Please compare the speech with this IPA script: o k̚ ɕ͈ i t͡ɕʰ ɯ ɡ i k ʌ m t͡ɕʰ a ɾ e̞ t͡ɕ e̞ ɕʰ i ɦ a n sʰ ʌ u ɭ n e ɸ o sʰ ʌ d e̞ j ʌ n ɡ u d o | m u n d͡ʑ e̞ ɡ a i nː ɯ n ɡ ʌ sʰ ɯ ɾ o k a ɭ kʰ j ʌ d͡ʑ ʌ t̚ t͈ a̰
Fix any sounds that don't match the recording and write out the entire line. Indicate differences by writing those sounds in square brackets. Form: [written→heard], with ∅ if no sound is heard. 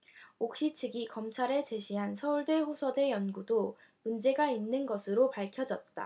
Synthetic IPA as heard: o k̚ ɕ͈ i t͡ɕʰ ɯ ɡ i k ʌ m t͡ɕʰ a ɾ e̞ t͡ɕ e̞ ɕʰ i ɦ a n sʰ ʌ u ɭ [n→d] e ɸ o sʰ ʌ d e̞ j ʌ n ɡ u d o | m u n d͡ʑ e̞ ɡ a i nː ɯ n ɡ ʌ sʰ ɯ ɾ o [k→p] a ɭ kʰ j ʌ d͡ʑ ʌ t̚ t͈ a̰